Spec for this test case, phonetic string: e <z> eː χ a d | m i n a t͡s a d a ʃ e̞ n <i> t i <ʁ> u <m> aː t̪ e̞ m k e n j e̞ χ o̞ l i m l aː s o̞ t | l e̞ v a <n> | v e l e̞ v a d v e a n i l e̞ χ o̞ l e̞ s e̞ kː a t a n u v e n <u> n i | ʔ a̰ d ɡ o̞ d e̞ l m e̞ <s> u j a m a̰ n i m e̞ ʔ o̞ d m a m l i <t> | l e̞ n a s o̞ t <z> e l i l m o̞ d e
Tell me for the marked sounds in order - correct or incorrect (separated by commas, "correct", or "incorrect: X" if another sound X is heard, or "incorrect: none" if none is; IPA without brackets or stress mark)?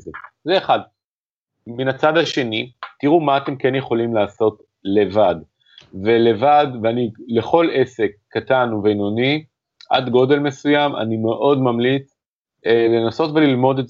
correct, correct, correct, correct, incorrect: d, incorrect: o, correct, incorrect: t͡s, incorrect: v